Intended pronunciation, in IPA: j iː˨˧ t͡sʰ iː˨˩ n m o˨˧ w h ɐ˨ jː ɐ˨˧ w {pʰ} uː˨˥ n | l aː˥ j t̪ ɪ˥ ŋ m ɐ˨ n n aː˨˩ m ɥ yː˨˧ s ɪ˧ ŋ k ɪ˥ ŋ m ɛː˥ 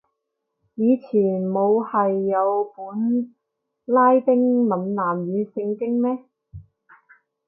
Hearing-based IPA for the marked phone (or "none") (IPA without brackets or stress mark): p